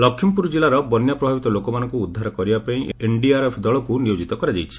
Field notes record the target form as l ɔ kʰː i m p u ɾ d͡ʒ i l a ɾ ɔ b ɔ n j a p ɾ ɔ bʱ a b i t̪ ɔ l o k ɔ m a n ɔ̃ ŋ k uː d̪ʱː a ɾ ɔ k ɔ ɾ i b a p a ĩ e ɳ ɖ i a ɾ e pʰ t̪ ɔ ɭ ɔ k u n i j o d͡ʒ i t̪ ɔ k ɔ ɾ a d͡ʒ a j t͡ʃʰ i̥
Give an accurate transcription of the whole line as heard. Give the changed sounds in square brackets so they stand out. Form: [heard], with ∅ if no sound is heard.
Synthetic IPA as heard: l ɔ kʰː i m p u ɾ d͡ʒ i l a ɾ ɔ b ɔ n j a p ɾ ɔ bʱ a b i t̪ ɔ l o k ɔ m a n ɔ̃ ŋ k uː d̪ʱː a ɾ ɔ k ɔ ɾ i b a p a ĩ e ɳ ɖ i a ɾ e pʰ [d̪] ɔ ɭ ɔ k u n i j o d͡ʒ i t̪ ɔ k ɔ ɾ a d͡ʒ a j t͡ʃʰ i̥